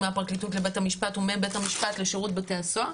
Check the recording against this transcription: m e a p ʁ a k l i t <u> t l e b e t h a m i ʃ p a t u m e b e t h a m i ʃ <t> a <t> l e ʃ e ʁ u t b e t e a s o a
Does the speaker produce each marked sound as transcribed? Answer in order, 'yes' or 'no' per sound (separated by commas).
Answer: yes, no, yes